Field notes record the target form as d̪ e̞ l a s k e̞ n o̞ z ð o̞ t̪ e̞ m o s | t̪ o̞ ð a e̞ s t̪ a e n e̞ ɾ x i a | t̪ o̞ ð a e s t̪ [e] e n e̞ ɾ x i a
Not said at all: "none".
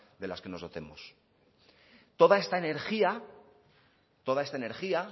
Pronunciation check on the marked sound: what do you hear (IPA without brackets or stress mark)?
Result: a